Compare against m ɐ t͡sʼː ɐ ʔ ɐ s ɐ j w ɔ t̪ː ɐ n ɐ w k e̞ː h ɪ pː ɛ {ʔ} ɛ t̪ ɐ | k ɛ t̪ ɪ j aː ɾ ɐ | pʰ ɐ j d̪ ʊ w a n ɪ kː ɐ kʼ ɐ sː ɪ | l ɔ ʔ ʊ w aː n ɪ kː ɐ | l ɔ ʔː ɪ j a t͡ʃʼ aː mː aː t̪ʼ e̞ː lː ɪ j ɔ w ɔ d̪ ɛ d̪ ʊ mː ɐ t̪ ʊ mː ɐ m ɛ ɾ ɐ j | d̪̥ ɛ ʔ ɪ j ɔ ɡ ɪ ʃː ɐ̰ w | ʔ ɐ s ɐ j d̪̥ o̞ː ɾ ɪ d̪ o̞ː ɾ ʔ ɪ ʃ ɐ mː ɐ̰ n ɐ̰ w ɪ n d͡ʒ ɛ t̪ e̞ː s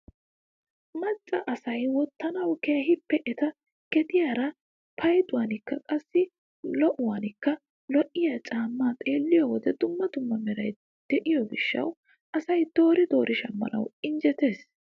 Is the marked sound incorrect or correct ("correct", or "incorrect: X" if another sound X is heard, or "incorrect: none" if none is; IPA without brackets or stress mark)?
correct